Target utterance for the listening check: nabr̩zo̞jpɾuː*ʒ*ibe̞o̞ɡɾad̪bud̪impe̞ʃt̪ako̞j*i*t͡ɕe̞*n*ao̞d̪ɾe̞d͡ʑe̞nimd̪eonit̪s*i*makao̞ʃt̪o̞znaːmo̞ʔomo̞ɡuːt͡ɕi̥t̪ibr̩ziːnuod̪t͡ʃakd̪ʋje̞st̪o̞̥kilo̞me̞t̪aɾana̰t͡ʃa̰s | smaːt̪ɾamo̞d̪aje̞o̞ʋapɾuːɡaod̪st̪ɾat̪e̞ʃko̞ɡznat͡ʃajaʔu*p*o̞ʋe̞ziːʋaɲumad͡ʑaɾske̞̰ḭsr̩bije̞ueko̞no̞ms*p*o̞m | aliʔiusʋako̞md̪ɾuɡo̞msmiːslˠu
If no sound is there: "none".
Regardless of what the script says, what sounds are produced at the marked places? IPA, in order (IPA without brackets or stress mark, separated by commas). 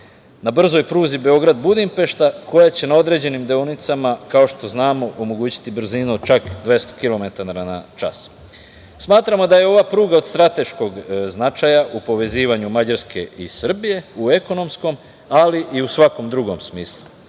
z, a, n, a, p, k